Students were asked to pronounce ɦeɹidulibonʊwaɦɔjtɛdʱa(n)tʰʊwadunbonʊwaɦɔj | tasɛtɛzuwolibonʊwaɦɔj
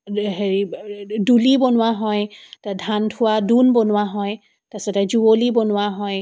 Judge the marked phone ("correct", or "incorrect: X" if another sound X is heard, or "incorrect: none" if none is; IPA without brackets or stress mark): correct